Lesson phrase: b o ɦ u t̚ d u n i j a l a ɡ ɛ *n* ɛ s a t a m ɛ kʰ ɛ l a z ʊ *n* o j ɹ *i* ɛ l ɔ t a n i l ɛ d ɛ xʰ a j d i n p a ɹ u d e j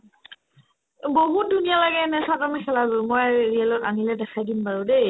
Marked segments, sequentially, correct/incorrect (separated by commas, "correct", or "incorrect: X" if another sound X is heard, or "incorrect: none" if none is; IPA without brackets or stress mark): correct, incorrect: m, correct